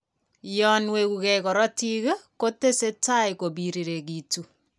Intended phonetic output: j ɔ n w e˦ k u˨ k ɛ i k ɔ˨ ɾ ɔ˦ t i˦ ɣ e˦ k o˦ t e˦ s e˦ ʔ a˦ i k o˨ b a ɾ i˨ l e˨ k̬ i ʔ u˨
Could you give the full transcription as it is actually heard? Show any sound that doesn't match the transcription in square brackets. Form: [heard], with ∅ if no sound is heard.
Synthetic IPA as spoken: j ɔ n w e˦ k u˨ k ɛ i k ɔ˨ ɾ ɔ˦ t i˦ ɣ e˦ k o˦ t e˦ s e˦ [t] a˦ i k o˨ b [i] ɾ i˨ [ɾ] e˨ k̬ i [t] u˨